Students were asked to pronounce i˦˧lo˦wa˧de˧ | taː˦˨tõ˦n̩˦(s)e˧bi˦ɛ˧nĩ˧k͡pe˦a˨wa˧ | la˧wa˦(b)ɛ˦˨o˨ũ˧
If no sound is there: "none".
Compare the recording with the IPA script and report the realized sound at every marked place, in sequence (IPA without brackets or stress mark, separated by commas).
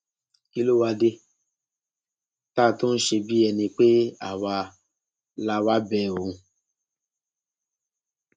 ʃ, b